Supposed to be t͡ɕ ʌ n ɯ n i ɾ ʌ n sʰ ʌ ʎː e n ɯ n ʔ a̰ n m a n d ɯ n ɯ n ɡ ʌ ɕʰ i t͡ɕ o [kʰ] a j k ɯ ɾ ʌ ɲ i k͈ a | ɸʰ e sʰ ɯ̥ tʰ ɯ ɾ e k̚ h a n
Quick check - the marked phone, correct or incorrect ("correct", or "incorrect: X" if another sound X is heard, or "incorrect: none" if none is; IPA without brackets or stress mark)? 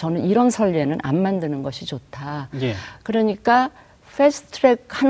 incorrect: tʰ